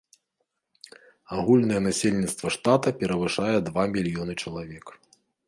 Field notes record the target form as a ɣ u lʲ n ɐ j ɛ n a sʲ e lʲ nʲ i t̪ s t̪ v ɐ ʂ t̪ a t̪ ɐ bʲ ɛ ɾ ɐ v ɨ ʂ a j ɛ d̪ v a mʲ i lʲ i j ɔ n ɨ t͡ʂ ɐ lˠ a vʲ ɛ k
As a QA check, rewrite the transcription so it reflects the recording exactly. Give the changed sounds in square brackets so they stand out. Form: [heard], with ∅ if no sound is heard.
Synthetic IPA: a ɣ u lʲ n ɐ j ɛ n a sʲ e lʲ nʲ i t̪ s t̪ v ɐ ʂ t̪ a t̪ ɐ [pʲ] ɛ ɾ ɐ v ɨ ʂ a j ɛ d̪ v a mʲ i lʲ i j ɔ n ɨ t͡ʂ ɐ lˠ a vʲ ɛ k